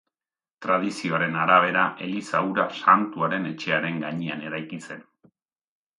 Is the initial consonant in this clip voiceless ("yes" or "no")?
yes